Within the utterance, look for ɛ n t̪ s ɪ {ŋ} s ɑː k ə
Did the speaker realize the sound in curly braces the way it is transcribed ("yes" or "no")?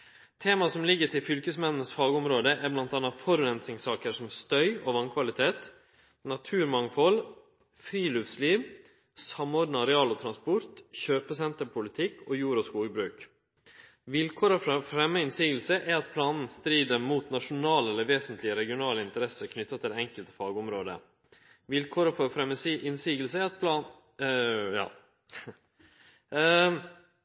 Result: yes